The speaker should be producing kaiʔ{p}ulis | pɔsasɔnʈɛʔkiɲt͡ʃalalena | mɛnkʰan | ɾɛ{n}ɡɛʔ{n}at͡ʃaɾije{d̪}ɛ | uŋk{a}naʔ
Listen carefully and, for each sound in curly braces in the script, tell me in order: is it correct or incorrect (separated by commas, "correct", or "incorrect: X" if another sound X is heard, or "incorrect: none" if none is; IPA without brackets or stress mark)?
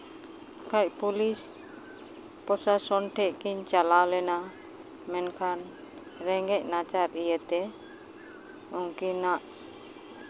correct, incorrect: ŋ, correct, incorrect: t̪, incorrect: i